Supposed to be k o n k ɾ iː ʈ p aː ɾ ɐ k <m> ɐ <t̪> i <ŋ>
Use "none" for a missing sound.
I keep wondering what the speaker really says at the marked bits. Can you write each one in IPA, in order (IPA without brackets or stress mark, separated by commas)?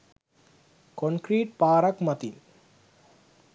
m, t̪, n